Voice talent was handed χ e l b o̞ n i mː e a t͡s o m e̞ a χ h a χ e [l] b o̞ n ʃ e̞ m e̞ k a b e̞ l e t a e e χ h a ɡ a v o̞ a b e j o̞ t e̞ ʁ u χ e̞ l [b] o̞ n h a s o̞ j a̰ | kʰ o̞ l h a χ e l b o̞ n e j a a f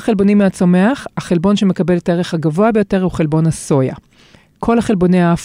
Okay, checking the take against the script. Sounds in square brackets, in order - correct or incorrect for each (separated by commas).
correct, correct